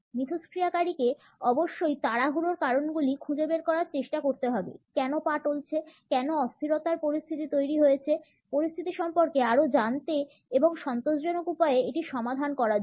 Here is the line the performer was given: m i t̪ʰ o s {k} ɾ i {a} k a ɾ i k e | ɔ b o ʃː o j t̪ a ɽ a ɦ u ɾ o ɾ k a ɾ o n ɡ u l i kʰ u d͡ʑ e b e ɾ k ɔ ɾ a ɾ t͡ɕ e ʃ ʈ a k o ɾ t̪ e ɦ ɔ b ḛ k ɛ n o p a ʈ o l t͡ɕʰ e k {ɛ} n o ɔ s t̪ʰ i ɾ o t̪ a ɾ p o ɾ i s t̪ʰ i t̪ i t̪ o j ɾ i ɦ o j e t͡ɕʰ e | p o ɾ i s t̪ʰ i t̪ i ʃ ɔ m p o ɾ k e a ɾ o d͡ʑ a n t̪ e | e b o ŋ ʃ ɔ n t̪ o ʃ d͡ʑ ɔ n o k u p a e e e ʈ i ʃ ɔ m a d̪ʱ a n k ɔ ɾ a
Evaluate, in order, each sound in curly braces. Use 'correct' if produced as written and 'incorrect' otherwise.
correct, correct, correct

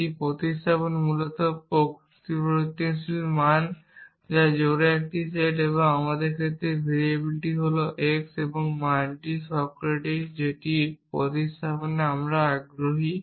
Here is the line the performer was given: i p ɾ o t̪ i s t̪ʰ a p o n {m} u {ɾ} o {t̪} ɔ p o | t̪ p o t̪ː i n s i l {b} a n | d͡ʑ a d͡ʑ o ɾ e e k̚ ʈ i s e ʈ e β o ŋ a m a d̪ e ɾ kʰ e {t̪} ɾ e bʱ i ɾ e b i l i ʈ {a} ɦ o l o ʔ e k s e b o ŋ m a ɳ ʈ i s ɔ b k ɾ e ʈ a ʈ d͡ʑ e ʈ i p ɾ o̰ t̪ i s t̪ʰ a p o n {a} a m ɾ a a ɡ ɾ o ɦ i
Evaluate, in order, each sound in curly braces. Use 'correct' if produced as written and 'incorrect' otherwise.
correct, incorrect, correct, incorrect, correct, incorrect, incorrect

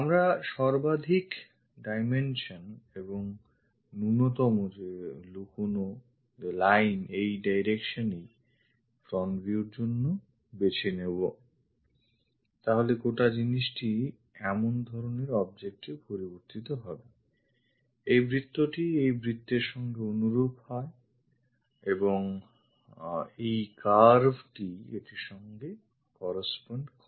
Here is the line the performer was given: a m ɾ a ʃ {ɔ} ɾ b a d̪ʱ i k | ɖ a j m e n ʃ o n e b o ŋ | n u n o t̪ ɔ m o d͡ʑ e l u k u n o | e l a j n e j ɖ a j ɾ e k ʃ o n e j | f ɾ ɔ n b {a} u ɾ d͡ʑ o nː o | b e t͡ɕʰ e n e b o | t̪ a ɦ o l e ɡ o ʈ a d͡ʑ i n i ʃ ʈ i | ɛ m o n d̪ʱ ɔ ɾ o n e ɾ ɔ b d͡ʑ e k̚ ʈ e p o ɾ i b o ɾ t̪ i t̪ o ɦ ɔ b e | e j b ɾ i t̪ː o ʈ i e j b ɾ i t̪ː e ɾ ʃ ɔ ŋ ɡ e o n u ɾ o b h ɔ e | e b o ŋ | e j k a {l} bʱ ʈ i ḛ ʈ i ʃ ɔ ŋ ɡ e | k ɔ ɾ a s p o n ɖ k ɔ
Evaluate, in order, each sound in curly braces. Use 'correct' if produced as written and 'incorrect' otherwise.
correct, incorrect, incorrect

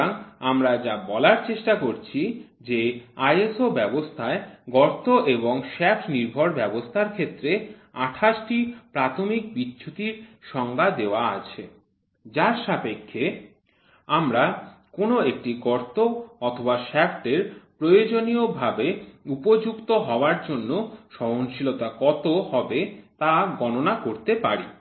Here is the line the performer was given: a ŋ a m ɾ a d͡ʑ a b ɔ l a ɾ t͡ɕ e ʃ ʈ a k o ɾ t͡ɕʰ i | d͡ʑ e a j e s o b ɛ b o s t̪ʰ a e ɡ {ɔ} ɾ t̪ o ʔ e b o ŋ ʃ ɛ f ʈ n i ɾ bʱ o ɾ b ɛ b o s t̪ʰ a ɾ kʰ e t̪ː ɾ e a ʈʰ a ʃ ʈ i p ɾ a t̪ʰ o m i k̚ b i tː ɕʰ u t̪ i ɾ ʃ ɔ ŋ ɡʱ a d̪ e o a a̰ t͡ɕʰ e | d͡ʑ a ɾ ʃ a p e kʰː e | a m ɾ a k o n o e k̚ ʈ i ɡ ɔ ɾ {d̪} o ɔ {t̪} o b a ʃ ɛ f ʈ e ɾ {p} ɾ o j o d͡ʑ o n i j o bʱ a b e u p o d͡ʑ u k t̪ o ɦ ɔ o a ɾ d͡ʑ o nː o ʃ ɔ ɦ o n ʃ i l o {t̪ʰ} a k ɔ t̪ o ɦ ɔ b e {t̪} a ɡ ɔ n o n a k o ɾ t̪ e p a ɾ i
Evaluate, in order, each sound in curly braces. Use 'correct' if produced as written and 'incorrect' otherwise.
correct, incorrect, incorrect, correct, incorrect, correct

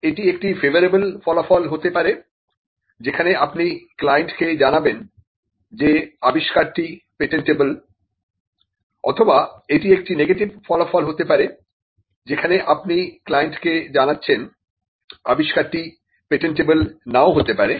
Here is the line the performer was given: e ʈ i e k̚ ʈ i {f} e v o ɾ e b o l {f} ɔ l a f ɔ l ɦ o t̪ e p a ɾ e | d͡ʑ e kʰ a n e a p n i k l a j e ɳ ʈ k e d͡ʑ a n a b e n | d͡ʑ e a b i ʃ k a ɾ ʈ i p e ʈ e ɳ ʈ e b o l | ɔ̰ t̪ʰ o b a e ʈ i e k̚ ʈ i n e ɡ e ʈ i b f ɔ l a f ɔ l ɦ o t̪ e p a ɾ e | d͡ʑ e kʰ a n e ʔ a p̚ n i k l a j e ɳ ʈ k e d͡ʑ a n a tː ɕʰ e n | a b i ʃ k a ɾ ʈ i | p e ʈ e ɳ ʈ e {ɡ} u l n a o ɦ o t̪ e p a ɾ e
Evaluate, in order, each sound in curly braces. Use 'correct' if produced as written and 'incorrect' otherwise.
correct, correct, incorrect

